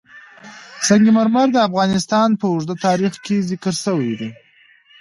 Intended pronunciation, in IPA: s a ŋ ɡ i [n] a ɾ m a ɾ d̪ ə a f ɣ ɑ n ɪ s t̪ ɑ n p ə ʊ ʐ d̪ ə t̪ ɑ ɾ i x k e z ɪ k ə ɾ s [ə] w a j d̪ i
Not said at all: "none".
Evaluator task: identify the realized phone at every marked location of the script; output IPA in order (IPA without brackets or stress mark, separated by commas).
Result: m, ə